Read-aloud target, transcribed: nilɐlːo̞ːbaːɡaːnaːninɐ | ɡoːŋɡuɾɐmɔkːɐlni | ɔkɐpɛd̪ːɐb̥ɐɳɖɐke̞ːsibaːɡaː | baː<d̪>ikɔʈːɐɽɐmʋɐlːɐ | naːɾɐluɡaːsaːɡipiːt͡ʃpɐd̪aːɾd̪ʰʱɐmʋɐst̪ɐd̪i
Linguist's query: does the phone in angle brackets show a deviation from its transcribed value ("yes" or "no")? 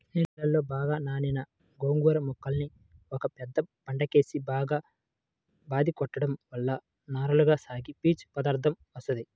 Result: no